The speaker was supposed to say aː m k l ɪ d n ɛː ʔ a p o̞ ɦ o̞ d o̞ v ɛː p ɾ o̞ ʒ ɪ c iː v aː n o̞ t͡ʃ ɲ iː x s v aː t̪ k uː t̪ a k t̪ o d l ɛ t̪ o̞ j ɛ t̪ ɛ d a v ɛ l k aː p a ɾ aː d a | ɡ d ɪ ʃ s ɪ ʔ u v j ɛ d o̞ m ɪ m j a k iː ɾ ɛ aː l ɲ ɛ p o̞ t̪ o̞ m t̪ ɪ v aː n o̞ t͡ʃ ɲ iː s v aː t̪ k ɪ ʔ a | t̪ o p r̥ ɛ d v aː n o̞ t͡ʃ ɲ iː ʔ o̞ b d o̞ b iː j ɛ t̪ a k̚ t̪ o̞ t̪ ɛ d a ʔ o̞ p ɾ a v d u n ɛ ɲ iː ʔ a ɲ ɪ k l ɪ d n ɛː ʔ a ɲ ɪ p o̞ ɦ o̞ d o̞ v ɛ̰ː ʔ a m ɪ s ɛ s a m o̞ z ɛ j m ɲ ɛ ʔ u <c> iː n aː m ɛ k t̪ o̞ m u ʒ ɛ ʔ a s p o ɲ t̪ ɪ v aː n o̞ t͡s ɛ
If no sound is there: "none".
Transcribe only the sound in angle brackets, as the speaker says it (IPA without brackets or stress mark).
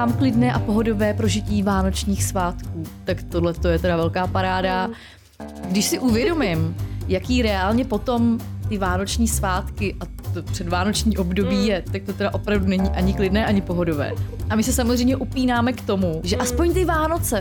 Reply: p